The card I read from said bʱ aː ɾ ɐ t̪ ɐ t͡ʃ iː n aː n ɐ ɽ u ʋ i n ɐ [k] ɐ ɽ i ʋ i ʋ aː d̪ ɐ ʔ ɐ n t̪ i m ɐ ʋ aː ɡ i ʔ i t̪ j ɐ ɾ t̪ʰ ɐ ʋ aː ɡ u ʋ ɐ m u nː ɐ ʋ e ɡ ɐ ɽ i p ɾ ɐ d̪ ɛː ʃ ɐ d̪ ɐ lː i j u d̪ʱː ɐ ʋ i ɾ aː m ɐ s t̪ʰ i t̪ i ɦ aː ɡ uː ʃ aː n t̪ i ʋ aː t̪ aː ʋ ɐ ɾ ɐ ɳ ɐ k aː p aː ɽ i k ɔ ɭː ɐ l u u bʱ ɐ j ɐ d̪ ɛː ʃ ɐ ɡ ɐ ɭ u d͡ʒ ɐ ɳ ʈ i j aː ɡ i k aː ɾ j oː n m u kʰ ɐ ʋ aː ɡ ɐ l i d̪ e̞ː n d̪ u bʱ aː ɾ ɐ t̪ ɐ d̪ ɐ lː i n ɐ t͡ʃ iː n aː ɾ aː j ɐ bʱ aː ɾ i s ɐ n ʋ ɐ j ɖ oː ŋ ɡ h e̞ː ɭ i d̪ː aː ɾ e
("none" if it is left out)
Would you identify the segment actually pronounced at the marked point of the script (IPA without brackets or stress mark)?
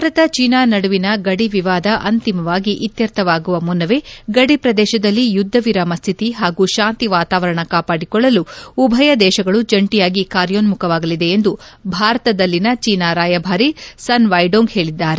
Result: ɡ